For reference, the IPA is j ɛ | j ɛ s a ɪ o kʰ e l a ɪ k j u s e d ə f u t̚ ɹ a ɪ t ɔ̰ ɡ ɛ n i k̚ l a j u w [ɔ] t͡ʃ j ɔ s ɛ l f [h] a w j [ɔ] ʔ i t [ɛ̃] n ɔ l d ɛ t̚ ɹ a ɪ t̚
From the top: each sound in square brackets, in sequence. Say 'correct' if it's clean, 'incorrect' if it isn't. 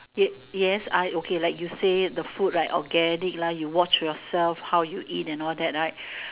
correct, correct, incorrect: u, correct

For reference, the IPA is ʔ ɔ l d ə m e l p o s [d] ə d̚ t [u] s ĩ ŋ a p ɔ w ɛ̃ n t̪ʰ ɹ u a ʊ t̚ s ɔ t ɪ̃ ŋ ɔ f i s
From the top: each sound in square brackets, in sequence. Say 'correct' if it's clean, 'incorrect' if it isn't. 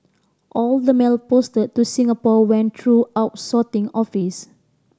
incorrect: t, correct

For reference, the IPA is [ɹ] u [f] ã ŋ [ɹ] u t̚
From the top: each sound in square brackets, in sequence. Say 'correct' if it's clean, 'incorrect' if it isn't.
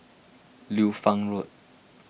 incorrect: l, correct, correct

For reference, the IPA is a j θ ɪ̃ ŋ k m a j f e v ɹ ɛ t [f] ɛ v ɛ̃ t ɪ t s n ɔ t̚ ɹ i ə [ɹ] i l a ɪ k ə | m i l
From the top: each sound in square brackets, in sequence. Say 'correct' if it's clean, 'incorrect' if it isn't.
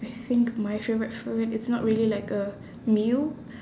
correct, incorrect: l

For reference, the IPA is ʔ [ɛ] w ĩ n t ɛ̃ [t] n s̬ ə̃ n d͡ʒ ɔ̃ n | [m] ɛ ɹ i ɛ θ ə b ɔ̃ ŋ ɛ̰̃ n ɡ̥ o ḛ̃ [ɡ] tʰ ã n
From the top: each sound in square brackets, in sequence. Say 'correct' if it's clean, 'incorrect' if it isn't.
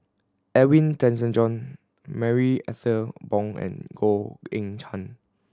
correct, incorrect: none, correct, incorrect: ŋ

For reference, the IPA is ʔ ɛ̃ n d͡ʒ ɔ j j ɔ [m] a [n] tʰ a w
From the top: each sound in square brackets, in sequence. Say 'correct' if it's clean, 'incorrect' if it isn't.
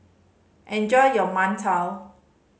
correct, correct

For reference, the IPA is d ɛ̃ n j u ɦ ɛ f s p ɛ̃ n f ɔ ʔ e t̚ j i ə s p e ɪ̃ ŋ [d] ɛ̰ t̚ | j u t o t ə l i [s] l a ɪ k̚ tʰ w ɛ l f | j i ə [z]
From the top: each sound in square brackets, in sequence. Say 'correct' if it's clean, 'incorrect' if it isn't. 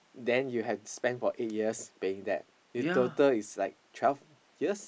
correct, correct, incorrect: s

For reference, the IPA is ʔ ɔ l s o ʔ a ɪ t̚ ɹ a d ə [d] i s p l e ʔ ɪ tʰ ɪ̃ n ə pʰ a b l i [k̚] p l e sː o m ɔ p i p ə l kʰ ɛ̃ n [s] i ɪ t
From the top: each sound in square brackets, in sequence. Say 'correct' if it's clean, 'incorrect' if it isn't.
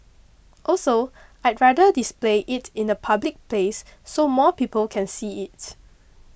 correct, correct, correct

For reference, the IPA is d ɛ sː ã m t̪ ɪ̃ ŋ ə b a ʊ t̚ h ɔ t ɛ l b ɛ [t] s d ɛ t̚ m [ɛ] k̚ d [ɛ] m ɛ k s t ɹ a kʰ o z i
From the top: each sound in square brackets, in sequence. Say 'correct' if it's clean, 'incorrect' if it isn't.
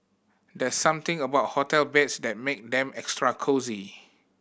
correct, incorrect: e, incorrect: ɛ̃

